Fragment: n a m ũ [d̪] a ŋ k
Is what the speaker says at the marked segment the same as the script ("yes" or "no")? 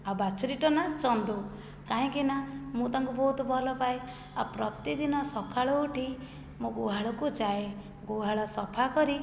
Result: no